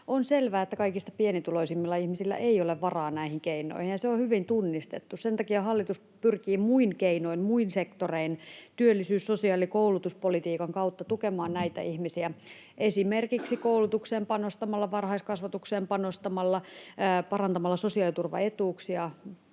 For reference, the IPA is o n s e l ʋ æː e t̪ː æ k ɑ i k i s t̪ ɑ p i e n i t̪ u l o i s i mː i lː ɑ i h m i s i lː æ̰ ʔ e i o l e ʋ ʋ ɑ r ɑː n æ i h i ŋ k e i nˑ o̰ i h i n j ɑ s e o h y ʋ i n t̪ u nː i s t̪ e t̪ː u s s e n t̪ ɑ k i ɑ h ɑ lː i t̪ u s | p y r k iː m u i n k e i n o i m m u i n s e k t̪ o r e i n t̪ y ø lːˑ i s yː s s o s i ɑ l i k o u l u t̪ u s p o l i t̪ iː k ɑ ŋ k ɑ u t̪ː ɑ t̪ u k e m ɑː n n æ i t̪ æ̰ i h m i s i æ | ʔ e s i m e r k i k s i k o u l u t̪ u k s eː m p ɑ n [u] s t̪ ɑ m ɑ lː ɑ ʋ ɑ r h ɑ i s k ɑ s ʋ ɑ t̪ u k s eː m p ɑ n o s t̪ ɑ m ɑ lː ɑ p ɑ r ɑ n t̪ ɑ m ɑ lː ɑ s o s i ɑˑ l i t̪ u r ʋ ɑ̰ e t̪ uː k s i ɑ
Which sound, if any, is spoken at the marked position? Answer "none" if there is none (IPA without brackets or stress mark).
o